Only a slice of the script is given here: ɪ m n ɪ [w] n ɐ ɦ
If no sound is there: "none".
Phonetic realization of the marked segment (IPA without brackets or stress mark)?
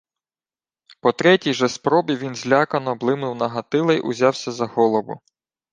w